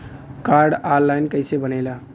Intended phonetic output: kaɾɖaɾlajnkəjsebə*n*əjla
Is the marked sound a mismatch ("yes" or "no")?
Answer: no